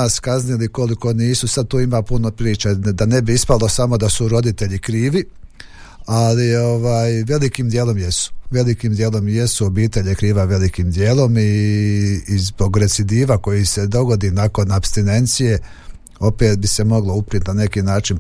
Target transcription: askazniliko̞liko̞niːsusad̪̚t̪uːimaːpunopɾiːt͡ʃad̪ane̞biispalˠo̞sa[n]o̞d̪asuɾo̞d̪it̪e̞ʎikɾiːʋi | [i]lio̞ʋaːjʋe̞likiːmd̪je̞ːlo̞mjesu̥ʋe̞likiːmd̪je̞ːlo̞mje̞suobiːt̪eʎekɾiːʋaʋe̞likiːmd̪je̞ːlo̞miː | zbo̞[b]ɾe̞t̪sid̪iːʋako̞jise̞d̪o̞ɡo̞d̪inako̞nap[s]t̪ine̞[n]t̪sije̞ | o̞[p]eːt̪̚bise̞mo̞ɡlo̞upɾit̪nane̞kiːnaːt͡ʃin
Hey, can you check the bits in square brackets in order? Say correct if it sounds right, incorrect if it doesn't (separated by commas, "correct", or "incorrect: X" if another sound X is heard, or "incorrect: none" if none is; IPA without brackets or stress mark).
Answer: incorrect: m, incorrect: a, incorrect: ɡ, correct, correct, correct